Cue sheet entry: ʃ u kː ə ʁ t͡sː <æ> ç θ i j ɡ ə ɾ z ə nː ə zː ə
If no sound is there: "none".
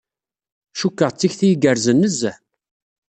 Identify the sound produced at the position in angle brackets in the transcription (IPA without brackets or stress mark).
i